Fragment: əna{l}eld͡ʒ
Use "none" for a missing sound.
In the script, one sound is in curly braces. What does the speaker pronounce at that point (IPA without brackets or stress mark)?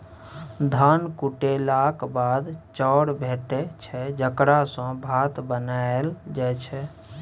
none